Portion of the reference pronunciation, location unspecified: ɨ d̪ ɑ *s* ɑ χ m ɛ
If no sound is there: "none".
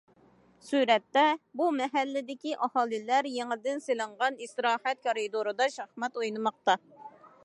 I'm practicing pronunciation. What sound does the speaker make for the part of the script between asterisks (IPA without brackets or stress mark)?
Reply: ʃ